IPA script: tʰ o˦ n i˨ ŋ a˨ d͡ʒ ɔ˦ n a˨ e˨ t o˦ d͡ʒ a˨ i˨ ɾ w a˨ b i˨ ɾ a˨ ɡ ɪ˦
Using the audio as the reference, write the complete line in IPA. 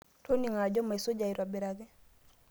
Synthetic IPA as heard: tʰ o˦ n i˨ ŋ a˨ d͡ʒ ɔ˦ m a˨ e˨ s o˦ d͡ʒ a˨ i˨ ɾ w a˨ b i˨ ɾ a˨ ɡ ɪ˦